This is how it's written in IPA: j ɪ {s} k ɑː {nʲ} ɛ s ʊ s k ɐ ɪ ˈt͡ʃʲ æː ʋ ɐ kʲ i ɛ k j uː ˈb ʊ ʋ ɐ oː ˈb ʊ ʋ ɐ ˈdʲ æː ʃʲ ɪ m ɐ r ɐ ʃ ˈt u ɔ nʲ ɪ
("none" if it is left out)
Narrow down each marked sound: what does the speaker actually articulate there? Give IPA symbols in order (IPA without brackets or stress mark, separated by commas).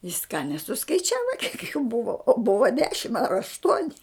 s, nʲ